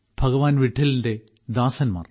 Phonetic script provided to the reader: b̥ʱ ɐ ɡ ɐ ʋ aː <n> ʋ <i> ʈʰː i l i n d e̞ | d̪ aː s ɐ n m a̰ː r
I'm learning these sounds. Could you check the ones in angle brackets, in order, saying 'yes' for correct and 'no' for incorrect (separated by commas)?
yes, yes